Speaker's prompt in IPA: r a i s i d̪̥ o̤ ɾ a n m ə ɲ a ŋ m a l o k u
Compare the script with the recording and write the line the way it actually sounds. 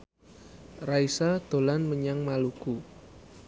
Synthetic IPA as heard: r a i s a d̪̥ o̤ l a n m ə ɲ a ŋ m a l u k u